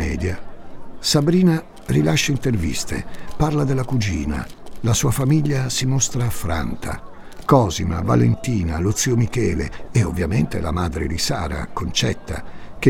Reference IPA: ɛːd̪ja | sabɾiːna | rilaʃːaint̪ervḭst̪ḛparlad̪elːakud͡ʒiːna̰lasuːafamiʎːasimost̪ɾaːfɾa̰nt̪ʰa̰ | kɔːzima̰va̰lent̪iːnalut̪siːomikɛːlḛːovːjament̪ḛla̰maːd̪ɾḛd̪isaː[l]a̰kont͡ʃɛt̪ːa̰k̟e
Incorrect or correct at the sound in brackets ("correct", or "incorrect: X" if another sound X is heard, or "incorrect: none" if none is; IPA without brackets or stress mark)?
incorrect: ɾ